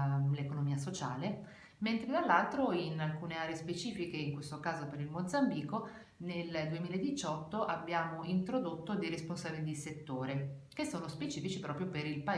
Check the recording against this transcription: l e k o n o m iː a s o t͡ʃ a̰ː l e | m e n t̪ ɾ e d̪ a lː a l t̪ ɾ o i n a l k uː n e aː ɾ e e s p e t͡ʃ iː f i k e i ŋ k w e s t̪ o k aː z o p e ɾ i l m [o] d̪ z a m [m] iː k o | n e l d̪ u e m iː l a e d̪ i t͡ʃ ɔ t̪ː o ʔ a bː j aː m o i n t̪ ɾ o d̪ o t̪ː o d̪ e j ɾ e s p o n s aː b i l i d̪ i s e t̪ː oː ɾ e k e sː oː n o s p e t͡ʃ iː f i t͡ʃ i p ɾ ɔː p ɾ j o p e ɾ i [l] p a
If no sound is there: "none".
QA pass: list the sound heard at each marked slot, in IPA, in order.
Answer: o, b, l

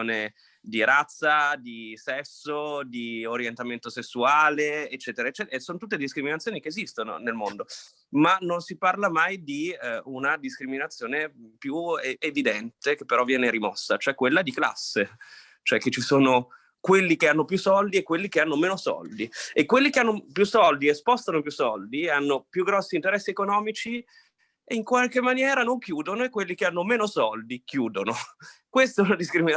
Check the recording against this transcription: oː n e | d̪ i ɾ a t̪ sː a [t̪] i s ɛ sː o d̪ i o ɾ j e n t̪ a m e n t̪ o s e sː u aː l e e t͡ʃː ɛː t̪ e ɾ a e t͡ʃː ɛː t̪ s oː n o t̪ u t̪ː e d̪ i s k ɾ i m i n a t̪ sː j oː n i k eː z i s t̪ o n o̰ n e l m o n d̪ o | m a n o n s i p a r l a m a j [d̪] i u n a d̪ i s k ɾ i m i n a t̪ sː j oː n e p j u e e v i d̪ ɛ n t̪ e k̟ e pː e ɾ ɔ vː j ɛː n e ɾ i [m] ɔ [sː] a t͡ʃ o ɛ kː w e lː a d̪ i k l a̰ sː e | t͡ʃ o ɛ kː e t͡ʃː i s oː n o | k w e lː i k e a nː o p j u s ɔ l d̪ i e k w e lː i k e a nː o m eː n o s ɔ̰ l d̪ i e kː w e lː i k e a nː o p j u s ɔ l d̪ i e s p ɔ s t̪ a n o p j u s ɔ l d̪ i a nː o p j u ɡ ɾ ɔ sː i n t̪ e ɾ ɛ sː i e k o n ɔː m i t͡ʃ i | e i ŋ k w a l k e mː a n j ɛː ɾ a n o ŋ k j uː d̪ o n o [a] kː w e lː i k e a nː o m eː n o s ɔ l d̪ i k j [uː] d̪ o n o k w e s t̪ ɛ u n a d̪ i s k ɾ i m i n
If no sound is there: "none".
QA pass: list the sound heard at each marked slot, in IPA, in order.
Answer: d̪, d̪, m, sː, e, uː

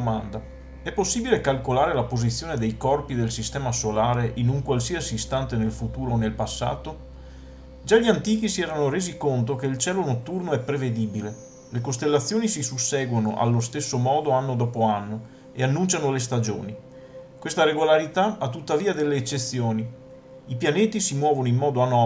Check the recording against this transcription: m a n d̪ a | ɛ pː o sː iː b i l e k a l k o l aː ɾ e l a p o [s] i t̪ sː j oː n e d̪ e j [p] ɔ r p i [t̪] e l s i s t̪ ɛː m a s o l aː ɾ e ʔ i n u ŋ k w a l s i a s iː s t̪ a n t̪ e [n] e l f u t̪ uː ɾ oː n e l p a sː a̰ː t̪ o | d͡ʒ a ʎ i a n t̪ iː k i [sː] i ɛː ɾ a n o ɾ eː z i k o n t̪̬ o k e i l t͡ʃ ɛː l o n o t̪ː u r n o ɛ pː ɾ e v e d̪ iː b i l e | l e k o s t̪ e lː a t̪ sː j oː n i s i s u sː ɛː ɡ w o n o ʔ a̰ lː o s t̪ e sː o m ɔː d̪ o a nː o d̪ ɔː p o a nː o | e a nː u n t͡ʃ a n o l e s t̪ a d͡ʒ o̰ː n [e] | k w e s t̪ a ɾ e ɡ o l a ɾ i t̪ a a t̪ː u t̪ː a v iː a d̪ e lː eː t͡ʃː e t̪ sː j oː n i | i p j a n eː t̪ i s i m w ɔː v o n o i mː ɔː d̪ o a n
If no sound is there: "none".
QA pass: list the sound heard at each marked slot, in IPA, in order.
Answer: z, k, d̪, n, s, i

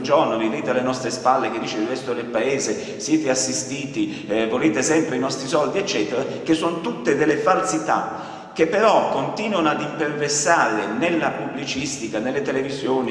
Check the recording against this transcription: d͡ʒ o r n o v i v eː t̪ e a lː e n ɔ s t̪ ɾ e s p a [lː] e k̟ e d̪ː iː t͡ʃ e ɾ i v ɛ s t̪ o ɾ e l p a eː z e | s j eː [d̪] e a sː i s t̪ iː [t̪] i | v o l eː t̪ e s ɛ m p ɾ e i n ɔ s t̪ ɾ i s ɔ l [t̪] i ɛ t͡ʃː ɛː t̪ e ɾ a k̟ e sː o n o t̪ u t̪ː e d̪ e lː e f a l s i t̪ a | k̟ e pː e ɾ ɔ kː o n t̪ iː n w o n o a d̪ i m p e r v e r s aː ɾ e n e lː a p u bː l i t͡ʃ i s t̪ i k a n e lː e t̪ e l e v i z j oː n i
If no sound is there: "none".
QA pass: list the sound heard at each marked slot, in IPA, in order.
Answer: lː, t̪, t̪, d̪

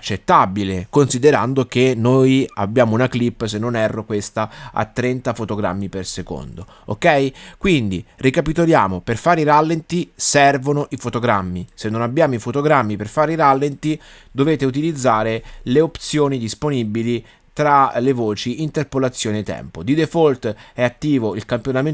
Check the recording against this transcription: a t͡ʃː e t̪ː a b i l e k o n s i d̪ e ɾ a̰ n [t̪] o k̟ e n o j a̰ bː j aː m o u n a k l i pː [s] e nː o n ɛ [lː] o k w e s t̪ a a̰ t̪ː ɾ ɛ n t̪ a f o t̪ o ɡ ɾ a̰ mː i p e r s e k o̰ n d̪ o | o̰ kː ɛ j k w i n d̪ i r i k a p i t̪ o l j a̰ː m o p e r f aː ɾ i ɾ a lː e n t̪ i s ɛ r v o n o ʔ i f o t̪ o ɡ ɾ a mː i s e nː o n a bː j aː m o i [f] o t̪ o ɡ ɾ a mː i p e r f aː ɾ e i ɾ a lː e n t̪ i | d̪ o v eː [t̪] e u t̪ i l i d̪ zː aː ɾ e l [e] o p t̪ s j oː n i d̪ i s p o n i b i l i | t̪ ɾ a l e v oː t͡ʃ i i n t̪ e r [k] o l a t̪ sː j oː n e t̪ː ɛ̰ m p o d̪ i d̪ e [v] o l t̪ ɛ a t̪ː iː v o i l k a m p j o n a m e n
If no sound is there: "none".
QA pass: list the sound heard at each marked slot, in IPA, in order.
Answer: d̪, s, rː, f, t̪, e, p, f

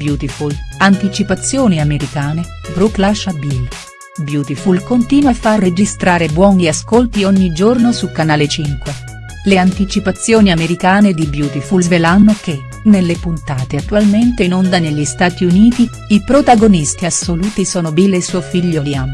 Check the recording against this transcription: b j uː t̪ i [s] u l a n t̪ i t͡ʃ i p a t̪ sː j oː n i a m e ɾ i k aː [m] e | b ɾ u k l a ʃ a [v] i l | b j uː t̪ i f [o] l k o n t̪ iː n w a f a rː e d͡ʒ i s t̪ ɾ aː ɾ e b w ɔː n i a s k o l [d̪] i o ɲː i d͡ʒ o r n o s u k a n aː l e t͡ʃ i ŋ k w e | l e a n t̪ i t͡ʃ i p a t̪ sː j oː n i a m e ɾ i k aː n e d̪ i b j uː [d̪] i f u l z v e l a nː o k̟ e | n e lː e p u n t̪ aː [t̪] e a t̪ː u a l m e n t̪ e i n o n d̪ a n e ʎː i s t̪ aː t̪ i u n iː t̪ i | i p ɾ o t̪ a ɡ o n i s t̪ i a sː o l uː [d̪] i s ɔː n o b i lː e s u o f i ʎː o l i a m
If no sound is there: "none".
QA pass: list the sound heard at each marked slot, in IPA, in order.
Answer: f, n, b, u, t̪, t̪, t̪, t̪

